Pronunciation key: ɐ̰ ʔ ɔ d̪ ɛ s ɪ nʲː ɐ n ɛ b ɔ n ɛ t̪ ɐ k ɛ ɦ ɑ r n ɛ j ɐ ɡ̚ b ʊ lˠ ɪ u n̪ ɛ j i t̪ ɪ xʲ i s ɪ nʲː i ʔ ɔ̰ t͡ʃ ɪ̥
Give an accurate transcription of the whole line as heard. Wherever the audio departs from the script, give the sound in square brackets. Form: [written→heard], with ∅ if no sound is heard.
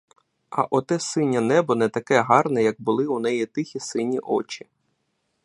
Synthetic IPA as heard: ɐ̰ ʔ ɔ [d̪→t̪] ɛ s ɪ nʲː ɐ n ɛ b ɔ n ɛ t̪ ɐ k ɛ ɦ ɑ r n ɛ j ɐ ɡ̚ b ʊ lˠ ɪ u n̪ ɛ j i t̪ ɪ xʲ i s ɪ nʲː i ʔ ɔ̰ t͡ʃ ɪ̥